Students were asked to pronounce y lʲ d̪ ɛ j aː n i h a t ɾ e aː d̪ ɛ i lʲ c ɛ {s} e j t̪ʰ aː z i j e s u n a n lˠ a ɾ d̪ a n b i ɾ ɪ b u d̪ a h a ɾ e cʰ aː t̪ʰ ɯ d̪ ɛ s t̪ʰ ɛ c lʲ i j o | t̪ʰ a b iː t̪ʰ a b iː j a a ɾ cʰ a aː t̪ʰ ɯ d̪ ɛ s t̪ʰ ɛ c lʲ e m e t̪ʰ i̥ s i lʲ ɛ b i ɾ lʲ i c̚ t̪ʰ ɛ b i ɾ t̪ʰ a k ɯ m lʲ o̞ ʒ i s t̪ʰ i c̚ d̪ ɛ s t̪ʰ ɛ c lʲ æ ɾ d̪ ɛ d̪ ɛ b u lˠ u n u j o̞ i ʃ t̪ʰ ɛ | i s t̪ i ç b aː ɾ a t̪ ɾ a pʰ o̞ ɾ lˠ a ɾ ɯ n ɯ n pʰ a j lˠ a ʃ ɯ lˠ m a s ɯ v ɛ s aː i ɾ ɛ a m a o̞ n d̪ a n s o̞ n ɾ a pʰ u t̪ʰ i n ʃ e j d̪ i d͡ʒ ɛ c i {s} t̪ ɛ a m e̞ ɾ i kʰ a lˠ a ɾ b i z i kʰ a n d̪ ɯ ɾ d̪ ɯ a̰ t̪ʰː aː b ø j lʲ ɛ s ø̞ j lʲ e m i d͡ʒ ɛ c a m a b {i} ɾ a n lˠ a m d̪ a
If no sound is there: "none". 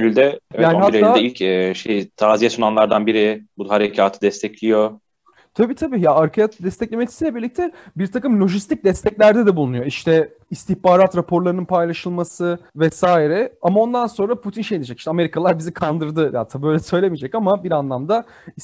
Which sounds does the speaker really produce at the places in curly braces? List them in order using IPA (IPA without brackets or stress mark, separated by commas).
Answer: ʃ, ʃ, i